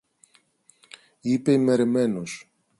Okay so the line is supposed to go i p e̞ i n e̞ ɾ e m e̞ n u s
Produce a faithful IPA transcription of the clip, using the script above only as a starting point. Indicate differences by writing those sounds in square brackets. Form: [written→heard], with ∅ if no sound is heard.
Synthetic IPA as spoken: i p e̞ i [n→m] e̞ ɾ e m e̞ n [u→o] s